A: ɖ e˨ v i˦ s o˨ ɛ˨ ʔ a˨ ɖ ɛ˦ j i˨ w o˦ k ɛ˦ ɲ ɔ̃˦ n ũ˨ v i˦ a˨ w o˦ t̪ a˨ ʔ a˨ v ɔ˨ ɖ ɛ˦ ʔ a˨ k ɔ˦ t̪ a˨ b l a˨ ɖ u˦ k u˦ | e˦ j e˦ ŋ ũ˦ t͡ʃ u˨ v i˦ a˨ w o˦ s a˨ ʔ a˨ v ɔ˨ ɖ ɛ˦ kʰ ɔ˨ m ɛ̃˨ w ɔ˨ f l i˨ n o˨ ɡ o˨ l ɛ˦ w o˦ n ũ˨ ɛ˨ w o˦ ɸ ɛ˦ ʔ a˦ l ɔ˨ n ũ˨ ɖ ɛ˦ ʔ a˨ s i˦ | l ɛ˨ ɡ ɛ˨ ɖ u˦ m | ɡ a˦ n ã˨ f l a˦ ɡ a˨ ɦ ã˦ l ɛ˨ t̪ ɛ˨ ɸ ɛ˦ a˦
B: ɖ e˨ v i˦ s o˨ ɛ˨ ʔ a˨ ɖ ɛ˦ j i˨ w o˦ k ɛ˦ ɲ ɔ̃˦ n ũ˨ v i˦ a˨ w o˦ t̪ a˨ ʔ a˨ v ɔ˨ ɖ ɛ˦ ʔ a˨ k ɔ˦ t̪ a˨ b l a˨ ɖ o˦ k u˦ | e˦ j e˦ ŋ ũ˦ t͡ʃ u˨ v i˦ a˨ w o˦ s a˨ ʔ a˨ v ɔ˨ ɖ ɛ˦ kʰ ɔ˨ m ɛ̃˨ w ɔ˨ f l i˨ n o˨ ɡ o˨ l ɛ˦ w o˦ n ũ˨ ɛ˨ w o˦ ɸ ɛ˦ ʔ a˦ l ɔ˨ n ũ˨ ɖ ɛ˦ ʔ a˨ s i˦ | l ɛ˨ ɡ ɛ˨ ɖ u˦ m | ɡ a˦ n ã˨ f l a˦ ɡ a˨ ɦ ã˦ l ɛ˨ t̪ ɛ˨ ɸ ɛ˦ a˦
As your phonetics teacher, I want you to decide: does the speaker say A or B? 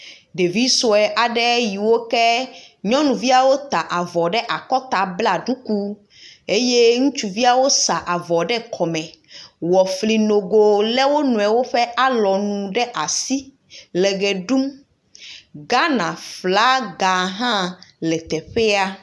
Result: A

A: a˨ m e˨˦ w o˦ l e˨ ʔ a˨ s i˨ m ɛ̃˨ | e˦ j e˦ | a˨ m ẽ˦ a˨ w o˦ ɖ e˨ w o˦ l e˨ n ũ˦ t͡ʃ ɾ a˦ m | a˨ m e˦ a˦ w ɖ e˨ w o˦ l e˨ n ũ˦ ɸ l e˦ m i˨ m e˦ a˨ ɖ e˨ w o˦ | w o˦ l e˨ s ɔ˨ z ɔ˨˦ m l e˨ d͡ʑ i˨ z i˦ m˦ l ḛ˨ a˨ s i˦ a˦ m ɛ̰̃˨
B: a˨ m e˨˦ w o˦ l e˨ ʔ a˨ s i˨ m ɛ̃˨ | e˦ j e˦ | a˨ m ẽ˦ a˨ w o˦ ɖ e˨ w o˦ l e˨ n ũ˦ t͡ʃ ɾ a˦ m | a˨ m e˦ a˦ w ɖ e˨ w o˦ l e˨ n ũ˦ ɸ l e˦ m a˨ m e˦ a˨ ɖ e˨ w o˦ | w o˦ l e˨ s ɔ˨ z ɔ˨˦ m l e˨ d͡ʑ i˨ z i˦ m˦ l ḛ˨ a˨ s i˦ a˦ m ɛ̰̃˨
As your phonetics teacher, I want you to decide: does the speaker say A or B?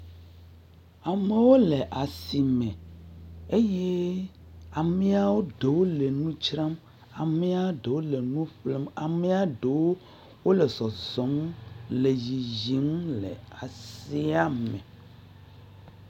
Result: B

